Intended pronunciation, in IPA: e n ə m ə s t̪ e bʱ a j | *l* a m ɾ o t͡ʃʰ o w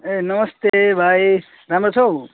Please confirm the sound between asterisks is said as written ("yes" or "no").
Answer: no